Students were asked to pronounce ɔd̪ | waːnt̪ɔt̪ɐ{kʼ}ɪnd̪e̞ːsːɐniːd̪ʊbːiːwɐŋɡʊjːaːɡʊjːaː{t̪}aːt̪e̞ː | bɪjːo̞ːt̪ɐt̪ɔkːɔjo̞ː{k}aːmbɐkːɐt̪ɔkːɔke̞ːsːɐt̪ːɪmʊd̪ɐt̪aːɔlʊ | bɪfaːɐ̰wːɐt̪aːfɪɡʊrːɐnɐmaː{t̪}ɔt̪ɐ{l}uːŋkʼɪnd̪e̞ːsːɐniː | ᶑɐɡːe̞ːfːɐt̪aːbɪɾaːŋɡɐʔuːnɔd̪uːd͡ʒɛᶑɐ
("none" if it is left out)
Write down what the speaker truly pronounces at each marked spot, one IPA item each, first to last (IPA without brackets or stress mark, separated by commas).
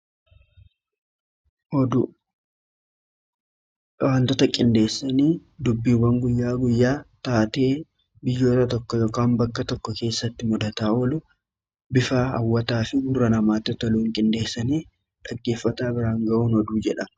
kʼ, t̪, k, t̪, l